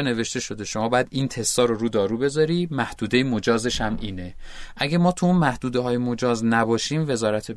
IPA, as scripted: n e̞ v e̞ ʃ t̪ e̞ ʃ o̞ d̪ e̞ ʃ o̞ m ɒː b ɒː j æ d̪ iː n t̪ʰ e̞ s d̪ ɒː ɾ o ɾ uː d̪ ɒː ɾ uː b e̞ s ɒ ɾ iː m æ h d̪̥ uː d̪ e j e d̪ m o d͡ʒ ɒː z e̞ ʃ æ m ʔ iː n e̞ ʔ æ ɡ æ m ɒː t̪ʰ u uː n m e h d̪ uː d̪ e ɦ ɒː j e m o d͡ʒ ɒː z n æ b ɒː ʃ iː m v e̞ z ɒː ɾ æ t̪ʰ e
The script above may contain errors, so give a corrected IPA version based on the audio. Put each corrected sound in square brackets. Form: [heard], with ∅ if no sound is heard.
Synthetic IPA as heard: n e̞ v e̞ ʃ t̪ e̞ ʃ o̞ d̪ e̞ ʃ o̞ m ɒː b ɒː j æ d̪ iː n t̪ʰ e̞ s [t̪] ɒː ɾ o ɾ uː d̪ ɒː ɾ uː b e̞ [z] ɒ ɾ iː m æ h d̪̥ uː d̪ e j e [∅] m o d͡ʒ ɒː z e̞ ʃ æ m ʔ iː n e̞ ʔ æ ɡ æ m ɒː t̪ʰ u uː n m [æ] h d̪ uː d̪ e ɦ ɒː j e m o d͡ʒ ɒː z n æ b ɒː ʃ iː m v e̞ z ɒː ɾ æ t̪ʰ e